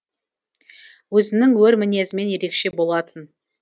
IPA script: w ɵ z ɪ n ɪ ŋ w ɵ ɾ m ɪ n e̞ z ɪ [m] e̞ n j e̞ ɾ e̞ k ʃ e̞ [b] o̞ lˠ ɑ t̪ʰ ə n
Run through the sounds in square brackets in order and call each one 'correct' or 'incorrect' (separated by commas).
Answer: correct, correct